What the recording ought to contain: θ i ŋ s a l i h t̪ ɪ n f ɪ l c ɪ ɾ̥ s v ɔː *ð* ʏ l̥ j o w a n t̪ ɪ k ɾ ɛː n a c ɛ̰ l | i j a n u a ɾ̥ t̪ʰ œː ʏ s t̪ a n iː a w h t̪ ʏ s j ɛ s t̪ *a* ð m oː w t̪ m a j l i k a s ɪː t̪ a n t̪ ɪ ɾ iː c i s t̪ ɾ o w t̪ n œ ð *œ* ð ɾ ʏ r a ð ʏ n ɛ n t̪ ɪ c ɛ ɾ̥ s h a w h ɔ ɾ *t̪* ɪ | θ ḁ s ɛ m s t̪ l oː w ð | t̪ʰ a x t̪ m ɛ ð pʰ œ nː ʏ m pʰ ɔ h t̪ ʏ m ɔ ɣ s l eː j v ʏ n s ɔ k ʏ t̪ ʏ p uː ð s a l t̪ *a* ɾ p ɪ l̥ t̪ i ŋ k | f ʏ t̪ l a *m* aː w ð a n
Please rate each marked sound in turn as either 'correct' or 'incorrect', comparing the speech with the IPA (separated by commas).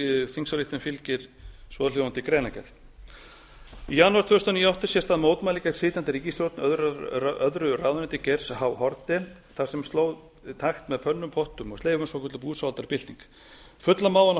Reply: correct, correct, correct, correct, correct, correct